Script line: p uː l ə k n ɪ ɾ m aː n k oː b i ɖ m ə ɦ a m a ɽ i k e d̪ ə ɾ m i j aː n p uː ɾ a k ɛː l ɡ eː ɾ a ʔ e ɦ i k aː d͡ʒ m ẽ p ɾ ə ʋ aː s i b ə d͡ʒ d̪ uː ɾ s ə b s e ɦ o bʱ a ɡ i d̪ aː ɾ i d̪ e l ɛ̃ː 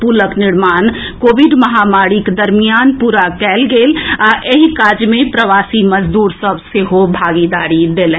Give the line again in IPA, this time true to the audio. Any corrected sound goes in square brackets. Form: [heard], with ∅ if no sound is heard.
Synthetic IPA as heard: p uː l ə k n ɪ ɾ m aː n k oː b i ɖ m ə ɦ a m a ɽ i k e d̪ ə ɾ m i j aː n p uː ɾ a k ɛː l ɡ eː [l] a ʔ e ɦ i k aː d͡ʒ m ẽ p ɾ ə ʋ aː s i [m] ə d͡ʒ d̪ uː ɾ s ə b s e ɦ o bʱ a ɡ i d̪ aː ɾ i d̪ e l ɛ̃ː